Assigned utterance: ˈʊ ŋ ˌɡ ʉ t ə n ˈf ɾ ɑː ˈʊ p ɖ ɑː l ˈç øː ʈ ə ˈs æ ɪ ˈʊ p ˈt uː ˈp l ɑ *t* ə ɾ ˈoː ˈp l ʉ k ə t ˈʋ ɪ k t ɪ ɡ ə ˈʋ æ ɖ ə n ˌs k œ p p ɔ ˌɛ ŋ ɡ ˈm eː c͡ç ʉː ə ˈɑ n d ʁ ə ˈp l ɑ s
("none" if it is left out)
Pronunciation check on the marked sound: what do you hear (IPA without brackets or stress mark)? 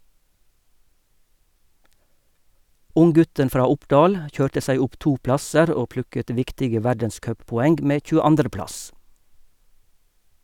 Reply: s